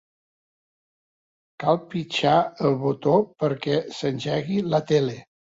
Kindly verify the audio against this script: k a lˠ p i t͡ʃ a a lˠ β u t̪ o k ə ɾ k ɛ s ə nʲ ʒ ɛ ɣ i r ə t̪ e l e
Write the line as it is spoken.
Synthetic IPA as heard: k a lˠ p i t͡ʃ a ə lˠ β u t̪ o p ə ɾ k ɛ s ə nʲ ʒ ɛ ɣ i l ə t̪ e l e